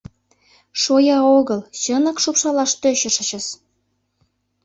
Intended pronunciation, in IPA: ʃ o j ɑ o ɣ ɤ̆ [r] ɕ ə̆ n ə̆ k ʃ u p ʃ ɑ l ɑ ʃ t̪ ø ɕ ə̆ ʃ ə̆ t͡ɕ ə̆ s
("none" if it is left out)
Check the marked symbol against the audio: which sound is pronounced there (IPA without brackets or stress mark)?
l